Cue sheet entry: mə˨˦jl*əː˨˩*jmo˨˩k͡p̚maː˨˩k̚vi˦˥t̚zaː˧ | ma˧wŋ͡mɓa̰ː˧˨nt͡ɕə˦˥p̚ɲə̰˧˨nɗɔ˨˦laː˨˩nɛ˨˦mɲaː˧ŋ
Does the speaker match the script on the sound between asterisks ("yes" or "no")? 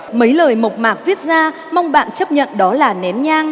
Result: yes